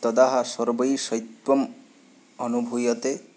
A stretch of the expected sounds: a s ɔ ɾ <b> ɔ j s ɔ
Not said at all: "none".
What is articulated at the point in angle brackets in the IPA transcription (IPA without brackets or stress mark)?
b